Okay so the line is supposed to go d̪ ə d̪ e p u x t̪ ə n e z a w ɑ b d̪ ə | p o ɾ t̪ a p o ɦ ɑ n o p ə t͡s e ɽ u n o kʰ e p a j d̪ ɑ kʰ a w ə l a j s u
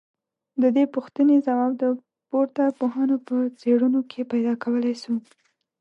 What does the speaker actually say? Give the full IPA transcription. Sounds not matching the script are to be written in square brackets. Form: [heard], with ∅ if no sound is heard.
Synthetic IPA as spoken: d̪ ə d̪ e p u x t̪ ə n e z a w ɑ b d̪ ə | p o ɾ t̪ a p o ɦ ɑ n o p ə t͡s e ɽ u n o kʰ e p a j d̪ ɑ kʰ a w ə l a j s u